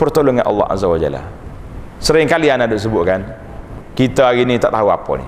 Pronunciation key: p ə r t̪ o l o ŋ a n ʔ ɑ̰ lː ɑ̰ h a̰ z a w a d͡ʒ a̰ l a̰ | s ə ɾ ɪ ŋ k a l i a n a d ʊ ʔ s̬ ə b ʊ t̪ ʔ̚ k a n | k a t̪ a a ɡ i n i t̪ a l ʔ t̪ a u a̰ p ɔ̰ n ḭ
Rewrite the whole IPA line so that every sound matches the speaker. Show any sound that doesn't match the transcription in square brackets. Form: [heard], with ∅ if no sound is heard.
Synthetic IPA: p ə r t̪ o l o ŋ a n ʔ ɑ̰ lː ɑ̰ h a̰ z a w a d͡ʒ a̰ l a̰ | s ə ɾ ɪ ŋ k a l i a n a d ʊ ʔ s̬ ə b ʊ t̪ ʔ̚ k a n | k [i] t̪ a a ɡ i n i t̪ a [∅] ʔ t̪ a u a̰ p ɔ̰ n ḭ